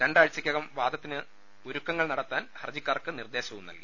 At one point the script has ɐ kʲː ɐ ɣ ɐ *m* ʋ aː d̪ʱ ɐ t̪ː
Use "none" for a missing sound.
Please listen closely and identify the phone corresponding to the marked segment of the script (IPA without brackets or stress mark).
m